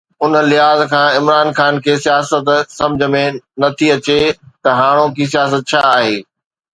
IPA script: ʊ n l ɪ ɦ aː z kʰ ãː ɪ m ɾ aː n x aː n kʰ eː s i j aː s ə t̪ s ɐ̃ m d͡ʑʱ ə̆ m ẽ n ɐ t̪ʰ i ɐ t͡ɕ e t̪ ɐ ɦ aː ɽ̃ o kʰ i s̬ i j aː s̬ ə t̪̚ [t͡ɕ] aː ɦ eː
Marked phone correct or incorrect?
incorrect: t͡ɕʰ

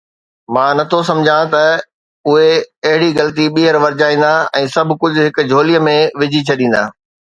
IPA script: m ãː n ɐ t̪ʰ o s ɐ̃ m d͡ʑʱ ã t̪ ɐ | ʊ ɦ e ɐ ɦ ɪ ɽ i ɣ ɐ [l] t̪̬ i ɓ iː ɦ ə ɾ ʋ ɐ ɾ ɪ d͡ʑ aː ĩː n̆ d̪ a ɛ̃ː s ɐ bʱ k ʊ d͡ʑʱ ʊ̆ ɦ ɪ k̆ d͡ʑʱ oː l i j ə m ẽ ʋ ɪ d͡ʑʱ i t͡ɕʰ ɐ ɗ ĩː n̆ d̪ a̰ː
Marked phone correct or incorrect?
correct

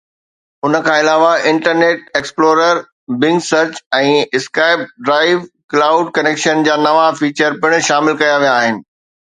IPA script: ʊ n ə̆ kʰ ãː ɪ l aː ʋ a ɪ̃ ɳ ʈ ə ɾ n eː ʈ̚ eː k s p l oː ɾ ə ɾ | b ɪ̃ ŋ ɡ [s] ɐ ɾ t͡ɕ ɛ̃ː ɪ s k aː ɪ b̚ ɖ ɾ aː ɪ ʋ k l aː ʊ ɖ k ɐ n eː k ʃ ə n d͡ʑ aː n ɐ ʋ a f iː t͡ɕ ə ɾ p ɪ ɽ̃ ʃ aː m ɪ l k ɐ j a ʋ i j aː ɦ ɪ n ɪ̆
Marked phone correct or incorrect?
correct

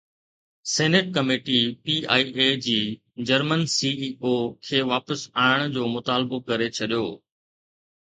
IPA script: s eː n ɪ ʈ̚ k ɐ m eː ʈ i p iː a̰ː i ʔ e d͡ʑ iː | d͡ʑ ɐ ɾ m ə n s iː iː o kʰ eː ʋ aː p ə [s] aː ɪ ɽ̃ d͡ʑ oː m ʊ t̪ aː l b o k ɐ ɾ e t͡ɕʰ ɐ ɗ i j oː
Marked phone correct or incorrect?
correct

